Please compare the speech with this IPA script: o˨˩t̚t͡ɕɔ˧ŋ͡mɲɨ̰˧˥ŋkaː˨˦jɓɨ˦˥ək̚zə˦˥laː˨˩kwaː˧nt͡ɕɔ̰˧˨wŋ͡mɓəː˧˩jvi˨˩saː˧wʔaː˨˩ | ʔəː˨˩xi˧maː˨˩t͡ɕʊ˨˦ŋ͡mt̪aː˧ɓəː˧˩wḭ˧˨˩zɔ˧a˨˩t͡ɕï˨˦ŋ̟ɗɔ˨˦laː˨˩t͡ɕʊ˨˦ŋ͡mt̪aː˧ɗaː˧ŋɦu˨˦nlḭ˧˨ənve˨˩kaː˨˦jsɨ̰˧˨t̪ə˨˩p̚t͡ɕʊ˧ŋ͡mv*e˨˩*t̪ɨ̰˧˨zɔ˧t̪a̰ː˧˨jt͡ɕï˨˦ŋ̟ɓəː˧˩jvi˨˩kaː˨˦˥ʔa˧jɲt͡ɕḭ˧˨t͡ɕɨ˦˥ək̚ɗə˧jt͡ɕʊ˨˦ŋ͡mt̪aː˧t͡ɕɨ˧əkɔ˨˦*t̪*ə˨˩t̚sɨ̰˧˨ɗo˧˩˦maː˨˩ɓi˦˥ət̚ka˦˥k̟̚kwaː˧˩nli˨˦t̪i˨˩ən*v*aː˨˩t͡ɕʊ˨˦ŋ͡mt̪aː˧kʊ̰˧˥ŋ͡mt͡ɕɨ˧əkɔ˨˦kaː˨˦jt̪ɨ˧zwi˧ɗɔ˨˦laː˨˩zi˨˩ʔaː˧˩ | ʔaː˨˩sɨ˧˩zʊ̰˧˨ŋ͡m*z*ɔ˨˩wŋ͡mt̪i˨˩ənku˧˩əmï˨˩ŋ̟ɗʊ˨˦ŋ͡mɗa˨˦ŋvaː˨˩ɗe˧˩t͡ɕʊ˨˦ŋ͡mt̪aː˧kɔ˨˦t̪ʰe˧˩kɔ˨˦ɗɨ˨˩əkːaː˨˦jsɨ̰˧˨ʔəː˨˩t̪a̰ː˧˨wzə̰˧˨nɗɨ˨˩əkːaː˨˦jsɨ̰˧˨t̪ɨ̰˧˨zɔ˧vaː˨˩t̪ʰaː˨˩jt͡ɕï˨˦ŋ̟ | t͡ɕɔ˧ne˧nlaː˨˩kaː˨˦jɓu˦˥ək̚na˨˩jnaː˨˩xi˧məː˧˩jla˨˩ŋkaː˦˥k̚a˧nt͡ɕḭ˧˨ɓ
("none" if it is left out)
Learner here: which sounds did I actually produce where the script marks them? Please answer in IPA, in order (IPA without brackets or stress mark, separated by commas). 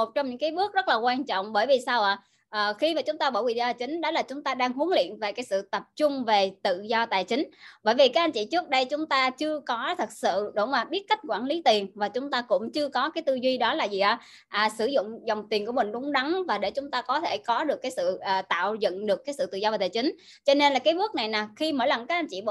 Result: e˨˩, t̪ʰ, v, z